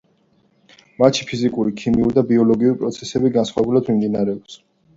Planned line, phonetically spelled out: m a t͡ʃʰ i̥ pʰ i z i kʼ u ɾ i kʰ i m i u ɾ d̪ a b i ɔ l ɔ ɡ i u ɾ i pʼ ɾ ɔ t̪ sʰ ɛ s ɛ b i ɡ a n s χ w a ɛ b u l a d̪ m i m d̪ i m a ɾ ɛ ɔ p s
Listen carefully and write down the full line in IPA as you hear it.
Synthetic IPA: m a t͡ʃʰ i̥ pʰ i z i kʼ u ɾ i kʰ i m i u ɾ d̪ a b i ɔ l ɔ ɡ i u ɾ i pʼ ɾ ɔ t̪ sʰ ɛ s ɛ b i ɡ a n s χ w a ɛ b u l a d̪ m i m d̪ i n a ɾ ɛ ɔ p s